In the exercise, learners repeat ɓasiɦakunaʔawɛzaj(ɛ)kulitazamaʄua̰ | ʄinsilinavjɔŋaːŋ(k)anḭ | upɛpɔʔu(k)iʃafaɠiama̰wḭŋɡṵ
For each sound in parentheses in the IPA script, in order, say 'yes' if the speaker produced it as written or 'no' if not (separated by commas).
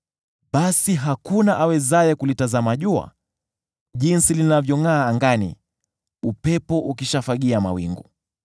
yes, no, yes